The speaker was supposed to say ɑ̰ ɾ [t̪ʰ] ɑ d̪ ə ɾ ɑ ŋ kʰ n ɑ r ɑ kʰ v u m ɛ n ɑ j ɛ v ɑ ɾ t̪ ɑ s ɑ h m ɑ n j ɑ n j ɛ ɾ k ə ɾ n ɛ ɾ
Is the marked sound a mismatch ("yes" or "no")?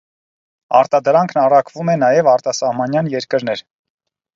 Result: yes